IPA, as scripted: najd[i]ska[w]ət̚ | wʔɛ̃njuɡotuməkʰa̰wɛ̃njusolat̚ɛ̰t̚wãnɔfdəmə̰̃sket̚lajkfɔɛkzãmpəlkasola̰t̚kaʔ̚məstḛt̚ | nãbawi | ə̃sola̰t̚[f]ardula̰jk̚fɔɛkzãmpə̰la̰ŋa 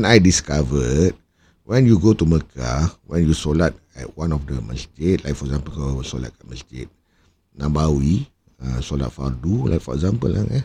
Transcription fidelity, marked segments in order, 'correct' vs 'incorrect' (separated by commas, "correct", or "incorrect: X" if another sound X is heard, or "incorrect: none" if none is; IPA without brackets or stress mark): correct, incorrect: v, correct